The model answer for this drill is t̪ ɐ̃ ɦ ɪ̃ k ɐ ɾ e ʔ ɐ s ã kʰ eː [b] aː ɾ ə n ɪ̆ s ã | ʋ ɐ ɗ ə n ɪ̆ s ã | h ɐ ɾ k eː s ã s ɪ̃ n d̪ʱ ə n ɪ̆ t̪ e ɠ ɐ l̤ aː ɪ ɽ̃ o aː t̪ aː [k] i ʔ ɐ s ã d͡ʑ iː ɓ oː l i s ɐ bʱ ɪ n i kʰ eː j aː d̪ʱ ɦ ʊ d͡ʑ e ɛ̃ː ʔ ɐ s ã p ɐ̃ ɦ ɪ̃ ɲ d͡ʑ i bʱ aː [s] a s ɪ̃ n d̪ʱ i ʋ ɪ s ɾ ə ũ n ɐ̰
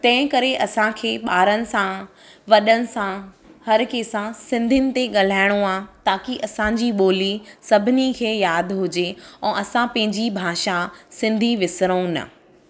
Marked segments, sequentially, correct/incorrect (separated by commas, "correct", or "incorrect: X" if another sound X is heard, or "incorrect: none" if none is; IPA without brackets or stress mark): incorrect: ɓ, correct, incorrect: ʃ